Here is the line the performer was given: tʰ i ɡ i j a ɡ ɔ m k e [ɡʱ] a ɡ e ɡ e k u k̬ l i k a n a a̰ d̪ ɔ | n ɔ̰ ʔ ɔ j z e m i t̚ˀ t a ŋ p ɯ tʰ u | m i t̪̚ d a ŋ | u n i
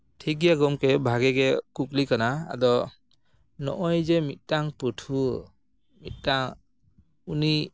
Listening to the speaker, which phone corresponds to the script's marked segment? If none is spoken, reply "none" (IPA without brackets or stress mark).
bʱ